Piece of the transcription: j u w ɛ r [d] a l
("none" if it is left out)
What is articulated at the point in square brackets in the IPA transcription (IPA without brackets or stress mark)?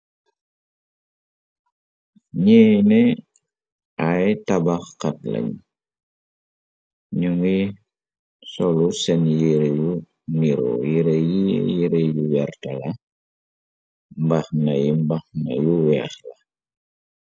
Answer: t